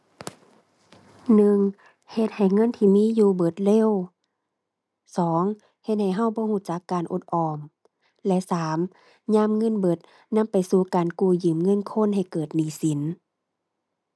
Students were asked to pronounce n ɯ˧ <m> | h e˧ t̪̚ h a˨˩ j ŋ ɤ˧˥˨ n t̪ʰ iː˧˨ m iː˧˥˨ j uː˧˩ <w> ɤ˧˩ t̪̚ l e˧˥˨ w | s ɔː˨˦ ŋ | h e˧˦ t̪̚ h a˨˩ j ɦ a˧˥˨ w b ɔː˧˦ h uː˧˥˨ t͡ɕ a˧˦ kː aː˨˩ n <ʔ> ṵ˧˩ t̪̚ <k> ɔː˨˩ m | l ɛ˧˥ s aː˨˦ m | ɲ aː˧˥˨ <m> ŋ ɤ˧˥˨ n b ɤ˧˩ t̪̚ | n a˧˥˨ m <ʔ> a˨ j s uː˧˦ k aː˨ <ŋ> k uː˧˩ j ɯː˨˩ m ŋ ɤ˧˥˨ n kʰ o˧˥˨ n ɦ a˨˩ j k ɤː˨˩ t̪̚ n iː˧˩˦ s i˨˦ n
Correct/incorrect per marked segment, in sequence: incorrect: ŋ, incorrect: b, correct, incorrect: ʔ, correct, incorrect: p, incorrect: n

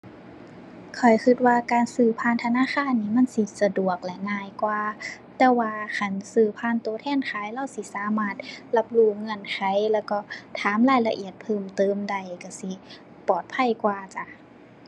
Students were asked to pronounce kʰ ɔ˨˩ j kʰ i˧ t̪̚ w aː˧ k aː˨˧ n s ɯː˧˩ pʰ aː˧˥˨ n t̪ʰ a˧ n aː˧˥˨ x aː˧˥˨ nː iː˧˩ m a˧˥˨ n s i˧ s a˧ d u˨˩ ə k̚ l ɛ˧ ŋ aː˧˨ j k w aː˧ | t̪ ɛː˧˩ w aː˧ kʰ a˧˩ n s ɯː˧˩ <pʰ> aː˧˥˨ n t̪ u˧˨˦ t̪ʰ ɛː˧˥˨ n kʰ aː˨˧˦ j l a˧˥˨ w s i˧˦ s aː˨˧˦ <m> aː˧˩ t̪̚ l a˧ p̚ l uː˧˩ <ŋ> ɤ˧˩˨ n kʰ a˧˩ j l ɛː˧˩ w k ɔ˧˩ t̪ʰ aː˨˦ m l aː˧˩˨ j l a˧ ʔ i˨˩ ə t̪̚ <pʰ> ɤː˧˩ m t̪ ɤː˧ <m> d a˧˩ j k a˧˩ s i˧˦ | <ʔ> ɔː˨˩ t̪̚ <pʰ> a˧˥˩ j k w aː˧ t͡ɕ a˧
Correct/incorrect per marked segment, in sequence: correct, correct, correct, correct, correct, incorrect: p, correct

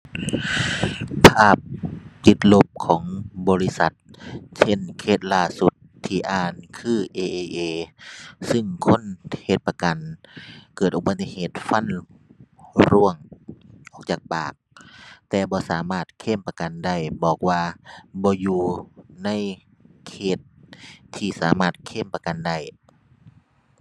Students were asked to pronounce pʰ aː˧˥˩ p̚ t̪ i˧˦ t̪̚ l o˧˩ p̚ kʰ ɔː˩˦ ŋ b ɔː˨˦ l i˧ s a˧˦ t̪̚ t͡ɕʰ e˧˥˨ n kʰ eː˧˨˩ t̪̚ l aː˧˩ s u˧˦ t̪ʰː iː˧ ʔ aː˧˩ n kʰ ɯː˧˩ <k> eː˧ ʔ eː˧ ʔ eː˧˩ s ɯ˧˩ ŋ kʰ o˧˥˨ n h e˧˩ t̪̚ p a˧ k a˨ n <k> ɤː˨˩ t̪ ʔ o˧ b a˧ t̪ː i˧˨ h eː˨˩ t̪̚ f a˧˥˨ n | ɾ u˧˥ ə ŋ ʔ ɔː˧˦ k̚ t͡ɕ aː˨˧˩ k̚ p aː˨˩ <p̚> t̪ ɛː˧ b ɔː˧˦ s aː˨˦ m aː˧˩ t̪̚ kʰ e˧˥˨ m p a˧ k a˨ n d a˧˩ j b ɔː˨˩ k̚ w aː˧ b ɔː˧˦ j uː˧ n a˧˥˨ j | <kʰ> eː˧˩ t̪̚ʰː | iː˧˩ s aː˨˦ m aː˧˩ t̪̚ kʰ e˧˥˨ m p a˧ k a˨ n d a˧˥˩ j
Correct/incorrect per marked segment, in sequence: incorrect: ʔ, correct, incorrect: k̚, correct

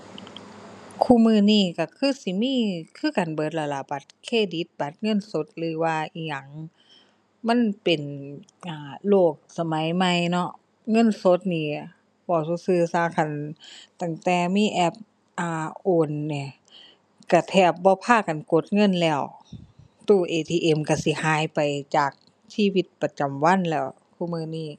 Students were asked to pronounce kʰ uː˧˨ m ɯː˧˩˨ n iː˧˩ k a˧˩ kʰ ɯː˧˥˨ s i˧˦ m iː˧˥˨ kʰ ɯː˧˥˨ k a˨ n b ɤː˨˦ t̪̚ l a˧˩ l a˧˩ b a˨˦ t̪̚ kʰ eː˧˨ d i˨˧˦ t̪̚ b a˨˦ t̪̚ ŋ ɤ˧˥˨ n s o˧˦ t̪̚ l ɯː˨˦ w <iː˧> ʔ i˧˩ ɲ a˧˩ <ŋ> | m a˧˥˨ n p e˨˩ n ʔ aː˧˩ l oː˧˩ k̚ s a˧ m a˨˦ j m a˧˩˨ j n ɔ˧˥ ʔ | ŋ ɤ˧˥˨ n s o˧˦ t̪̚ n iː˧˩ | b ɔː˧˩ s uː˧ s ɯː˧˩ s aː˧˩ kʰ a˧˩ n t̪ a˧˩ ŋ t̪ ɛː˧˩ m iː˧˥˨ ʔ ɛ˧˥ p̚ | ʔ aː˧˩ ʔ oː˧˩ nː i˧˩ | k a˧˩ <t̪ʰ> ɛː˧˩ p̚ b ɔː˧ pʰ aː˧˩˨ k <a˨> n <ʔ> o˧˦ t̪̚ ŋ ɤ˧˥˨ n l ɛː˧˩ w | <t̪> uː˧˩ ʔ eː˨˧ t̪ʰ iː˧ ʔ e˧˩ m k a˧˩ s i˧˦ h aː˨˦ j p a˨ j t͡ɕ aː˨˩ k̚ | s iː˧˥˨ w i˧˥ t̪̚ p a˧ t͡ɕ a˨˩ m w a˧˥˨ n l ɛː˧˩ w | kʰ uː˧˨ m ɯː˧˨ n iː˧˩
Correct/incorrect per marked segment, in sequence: incorrect: aː˧, correct, correct, correct, incorrect: k, correct

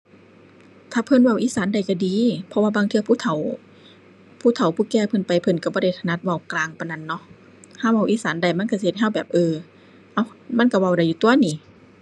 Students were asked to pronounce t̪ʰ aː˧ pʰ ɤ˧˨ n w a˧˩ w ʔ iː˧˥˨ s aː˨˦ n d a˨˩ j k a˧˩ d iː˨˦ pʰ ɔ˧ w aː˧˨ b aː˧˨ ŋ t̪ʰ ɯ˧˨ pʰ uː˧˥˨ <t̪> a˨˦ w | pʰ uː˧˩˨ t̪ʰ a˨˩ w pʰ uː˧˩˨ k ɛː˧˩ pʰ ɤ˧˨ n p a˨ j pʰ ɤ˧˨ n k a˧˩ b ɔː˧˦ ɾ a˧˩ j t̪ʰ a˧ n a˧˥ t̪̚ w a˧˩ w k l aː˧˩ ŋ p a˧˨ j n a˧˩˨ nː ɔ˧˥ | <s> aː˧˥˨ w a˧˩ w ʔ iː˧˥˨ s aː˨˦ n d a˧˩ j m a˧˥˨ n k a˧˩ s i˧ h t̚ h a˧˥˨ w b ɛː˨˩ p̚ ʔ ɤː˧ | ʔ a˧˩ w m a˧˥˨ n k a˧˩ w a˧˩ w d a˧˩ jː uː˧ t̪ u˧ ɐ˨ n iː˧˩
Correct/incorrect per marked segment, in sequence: incorrect: t̪ʰ, incorrect: h

